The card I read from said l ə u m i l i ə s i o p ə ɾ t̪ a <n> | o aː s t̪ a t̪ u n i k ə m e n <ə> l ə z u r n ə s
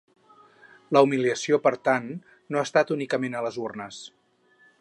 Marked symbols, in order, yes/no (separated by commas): no, yes